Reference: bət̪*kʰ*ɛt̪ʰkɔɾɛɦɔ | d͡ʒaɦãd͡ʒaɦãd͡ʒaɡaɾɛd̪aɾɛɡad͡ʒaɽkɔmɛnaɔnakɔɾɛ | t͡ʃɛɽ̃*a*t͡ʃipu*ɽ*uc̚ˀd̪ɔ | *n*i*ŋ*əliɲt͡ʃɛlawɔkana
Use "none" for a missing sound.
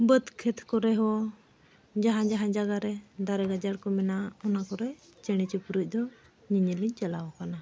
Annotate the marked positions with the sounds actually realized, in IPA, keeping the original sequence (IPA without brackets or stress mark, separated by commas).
kʰ, i, ɾ, ɲ, ɲ